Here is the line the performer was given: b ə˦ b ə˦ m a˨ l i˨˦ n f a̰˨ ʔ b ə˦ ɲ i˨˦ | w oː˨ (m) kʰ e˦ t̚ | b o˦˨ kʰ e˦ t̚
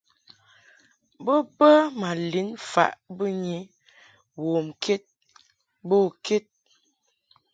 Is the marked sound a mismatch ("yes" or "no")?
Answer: no